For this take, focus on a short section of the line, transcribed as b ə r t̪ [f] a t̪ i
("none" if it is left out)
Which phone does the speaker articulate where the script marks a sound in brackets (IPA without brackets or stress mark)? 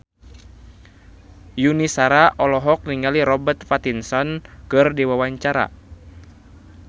f